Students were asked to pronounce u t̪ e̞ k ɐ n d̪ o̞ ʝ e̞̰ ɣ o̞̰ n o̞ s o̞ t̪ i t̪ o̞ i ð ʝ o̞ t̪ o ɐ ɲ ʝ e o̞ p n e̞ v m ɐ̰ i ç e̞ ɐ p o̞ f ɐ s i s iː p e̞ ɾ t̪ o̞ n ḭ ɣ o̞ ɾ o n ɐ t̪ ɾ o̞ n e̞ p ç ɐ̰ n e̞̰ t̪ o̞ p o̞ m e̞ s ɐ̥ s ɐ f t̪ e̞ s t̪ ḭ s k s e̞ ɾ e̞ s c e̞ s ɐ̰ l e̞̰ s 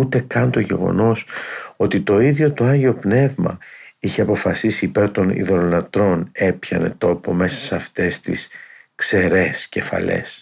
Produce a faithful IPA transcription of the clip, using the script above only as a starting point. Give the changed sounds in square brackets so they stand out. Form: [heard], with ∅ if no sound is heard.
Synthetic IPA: u t̪ e̞ k ɐ n [t̪] o̞ ʝ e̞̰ ɣ o̞̰ n o̞ s o̞ t̪ i t̪ o̞ i ð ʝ o̞ t̪ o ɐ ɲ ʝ e o̞ p n e̞ v m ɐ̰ i ç e̞ ɐ p o̞ f ɐ s i s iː p e̞ ɾ t̪ o̞ n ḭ [ð] o̞ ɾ o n ɐ t̪ ɾ o̞ n e̞ p ç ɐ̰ n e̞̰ t̪ o̞ p o̞ m e̞ s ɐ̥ s ɐ f t̪ e̞ s t̪ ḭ s k s e̞ ɾ e̞ s c e̞ [f] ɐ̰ l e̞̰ s